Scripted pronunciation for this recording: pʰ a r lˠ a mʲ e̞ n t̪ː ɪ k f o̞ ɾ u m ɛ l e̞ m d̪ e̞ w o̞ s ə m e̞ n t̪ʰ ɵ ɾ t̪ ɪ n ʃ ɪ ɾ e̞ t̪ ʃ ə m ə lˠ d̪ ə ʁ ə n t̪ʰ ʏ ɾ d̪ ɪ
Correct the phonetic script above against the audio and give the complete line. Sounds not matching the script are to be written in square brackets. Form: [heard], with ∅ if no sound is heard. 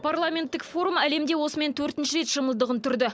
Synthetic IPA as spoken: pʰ a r lˠ a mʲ e̞ n t̪ː ɪ k f o̞ ɾ u m [æ] l e̞ m d̪ e̞ w o̞ s ə m e̞ n t̪ʰ ɵ ɾ t̪ ɪ n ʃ ɪ ɾ e̞ t̪ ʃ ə m ə lˠ d̪ ə ʁ ə n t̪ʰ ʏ ɾ d̪ ɪ